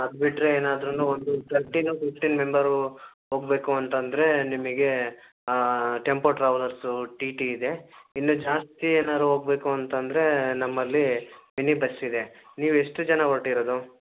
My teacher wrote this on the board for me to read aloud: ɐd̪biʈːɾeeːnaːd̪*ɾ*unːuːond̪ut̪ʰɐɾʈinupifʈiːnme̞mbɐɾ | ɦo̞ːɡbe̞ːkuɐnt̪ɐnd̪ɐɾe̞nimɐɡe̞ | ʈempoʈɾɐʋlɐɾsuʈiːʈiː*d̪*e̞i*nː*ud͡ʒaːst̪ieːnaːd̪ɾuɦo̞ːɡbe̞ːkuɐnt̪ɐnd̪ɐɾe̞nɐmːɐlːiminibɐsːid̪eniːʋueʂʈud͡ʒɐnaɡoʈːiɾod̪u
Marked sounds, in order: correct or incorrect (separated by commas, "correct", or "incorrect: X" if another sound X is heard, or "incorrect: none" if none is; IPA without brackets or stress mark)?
correct, correct, correct